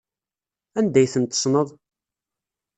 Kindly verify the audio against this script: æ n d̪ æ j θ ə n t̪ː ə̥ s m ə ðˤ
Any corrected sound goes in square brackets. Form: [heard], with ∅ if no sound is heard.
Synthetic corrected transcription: æ n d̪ æ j θ ə n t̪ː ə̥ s [n] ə ðˤ